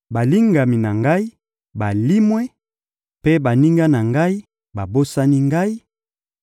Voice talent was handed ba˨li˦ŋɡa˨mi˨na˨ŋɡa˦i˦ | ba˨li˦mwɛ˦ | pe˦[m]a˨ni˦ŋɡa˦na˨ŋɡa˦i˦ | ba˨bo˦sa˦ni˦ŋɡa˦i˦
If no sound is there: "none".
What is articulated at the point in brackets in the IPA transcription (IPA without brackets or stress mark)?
b